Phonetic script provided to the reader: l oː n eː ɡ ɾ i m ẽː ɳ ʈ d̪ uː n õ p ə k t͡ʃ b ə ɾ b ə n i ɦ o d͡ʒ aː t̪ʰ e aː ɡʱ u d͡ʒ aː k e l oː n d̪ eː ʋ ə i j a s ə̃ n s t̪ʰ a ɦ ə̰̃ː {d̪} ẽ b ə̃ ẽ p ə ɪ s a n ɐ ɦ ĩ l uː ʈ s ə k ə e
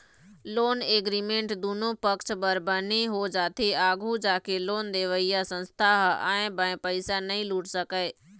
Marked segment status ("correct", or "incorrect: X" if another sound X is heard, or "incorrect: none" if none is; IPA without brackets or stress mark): incorrect: none